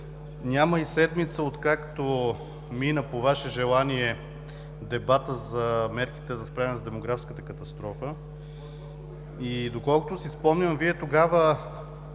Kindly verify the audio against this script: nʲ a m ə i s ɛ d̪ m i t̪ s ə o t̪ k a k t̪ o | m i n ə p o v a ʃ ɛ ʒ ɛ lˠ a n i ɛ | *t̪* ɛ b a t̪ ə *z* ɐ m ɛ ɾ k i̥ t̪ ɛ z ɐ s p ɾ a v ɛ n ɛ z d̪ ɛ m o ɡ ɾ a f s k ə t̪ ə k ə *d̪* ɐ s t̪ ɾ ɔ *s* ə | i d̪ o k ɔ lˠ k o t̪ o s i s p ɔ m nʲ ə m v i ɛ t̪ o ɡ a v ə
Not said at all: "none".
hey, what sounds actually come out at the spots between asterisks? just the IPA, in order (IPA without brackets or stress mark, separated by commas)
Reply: d̪, z, t̪, f